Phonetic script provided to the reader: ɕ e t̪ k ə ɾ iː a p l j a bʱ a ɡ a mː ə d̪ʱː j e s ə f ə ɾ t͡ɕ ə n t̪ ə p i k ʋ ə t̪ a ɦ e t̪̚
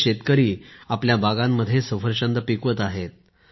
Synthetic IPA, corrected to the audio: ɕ e t̪ k ə ɾ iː a p l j a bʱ a ɡ a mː ə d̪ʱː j e s ə f ə ɾ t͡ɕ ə n d̪ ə p i k ʋ ə t̪ a ɦ e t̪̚